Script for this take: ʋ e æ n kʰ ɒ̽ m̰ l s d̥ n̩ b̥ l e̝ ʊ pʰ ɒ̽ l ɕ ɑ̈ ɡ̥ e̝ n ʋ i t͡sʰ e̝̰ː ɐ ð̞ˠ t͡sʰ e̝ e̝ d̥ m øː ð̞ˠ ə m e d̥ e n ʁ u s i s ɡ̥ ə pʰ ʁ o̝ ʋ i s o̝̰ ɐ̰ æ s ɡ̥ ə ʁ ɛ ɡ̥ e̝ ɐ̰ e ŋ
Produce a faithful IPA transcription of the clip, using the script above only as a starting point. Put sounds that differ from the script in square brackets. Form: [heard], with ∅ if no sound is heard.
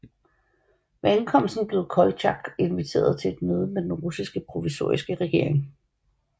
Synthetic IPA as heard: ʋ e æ n kʰ ɒ̽ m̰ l s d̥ n̩ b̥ l e̝ ʊ [kʰ] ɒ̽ l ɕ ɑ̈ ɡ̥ e̝ n ʋ i t͡sʰ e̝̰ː ɐ ð̞ˠ t͡sʰ e̝ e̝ d̥ m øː ð̞ˠ ə m e d̥ e n ʁ u s i s ɡ̥ ə pʰ ʁ o̝ ʋ i s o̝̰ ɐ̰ [i] s ɡ̥ ə ʁ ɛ ɡ̥ e̝ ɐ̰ e ŋ